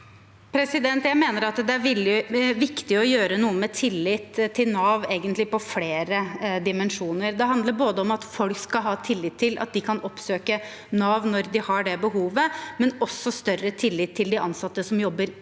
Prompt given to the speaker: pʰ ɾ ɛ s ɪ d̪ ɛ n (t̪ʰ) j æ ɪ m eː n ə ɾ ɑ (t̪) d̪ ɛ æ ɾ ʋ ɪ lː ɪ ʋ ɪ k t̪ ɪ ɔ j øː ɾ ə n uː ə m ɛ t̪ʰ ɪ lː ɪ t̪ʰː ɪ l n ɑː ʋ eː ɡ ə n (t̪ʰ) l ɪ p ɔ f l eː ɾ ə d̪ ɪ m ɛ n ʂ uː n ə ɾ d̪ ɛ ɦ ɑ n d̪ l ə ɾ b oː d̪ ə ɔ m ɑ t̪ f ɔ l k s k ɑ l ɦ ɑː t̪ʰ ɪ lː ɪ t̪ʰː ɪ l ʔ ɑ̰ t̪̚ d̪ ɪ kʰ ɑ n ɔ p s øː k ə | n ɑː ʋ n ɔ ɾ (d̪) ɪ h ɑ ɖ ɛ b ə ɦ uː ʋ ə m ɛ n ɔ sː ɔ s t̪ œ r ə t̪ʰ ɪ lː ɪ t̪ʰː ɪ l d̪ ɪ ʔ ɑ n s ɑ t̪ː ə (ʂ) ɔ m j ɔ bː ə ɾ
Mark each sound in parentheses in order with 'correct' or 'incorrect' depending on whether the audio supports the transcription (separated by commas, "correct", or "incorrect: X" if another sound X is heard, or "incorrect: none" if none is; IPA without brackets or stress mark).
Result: incorrect: t̪, correct, incorrect: t̪, correct, incorrect: s